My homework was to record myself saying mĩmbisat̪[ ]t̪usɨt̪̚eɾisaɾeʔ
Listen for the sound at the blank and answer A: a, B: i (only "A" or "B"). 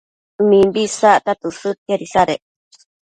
A